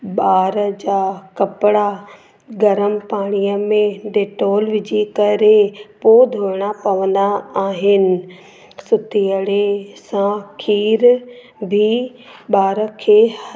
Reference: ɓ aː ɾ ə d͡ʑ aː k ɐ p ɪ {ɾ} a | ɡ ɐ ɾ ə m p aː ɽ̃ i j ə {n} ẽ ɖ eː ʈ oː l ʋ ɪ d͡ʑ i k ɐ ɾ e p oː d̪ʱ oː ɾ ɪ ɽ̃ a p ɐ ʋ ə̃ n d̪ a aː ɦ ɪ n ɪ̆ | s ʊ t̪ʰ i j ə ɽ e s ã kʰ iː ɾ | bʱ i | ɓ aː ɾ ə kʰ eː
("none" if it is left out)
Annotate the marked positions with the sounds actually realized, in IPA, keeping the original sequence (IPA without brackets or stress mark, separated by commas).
ɽ, m